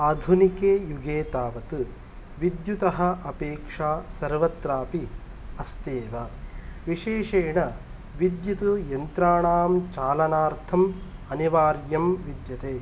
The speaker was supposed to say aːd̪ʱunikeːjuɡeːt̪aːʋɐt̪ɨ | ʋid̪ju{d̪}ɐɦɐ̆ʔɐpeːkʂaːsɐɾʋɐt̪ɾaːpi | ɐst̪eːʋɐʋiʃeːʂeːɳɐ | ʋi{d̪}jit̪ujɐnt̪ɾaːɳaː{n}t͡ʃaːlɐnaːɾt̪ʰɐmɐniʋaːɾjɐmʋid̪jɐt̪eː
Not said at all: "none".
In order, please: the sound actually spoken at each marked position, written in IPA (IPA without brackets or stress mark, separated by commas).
t̪, d̪, m